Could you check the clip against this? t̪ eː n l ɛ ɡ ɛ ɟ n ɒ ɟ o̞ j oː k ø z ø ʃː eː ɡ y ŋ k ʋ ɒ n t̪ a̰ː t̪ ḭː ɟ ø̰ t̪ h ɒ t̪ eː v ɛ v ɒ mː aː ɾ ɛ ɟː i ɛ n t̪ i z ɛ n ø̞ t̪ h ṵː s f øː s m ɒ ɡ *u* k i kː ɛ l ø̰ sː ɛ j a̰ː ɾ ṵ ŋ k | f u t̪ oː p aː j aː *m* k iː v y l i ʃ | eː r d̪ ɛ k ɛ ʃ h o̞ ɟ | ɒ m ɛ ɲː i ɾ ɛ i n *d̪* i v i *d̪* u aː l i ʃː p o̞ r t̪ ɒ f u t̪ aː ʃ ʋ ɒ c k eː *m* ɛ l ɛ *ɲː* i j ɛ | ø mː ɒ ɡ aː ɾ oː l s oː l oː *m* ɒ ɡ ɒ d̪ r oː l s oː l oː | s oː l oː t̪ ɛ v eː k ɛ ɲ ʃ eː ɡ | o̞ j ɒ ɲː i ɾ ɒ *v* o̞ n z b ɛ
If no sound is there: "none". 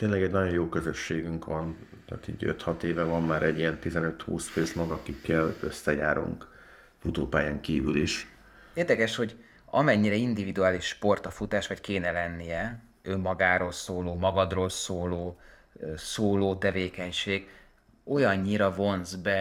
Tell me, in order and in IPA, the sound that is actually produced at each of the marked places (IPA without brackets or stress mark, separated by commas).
ɒ, ŋ, d̪, d̪, n, nː, m, v